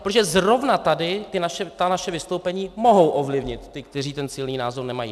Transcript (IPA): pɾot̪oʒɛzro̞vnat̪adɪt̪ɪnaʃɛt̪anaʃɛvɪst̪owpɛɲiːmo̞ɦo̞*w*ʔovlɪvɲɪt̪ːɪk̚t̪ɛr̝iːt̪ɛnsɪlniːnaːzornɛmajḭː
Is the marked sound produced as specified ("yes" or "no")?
yes